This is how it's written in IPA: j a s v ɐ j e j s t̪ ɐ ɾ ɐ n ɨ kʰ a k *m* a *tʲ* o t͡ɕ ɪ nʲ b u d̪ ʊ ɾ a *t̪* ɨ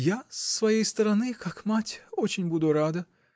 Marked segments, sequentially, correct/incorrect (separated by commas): correct, correct, incorrect